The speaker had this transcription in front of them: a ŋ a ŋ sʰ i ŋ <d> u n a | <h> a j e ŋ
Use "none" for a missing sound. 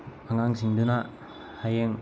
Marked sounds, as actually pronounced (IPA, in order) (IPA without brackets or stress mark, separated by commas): d, h